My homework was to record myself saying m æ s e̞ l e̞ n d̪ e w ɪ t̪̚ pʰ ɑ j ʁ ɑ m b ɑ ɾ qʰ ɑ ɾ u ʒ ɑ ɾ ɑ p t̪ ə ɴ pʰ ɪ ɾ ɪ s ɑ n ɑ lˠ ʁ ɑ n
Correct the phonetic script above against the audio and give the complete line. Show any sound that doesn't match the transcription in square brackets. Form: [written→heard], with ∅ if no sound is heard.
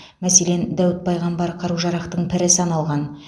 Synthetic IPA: m æ s e̞ l e̞ n d̪ [e→æ] w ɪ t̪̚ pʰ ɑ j ʁ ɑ m b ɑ ɾ qʰ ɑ ɾ u ʒ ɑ ɾ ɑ [p→q] t̪ ə ɴ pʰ ɪ ɾ ɪ s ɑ n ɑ lˠ ʁ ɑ n

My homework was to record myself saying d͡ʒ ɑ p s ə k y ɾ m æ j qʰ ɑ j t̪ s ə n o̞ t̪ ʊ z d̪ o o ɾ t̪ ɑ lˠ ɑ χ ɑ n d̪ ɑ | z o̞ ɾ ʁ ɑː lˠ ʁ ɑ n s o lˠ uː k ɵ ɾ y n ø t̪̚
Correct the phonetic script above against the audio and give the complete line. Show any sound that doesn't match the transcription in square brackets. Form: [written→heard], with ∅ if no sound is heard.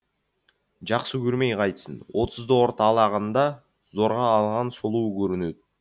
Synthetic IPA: d͡ʒ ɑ [p→q] s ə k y ɾ m [æ→e] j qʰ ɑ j t̪ s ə n o̞ t̪ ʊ z d̪ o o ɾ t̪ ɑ lˠ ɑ [χ→ʁ] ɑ n d̪ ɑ | z o̞ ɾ ʁ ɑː lˠ ʁ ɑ n s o lˠ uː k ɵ ɾ y n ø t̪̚

